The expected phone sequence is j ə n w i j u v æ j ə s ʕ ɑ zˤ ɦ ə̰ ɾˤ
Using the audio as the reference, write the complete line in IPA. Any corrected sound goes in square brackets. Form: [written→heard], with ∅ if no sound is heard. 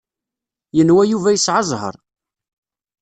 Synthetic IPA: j ə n w [i→æ] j u v æ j ə s ʕ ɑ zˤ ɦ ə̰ ɾˤ